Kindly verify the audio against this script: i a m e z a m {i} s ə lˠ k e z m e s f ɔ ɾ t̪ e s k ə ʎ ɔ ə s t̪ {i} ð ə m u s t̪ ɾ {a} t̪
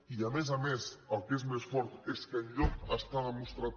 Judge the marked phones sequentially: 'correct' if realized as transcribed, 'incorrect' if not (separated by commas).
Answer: incorrect, incorrect, correct